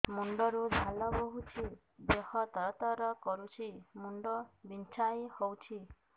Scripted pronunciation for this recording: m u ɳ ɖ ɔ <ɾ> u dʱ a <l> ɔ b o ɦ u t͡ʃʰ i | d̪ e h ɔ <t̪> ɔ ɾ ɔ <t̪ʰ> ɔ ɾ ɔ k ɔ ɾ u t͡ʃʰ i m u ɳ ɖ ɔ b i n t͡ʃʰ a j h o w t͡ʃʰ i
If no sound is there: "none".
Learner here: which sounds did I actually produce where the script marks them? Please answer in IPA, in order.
ɾ, l, t̪, t̪

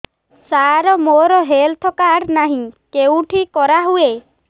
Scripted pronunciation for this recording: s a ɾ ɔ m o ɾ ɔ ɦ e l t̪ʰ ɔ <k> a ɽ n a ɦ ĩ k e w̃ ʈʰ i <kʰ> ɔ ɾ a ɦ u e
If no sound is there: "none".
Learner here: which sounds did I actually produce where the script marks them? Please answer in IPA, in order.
k, k

